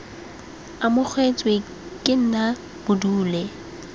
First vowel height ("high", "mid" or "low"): low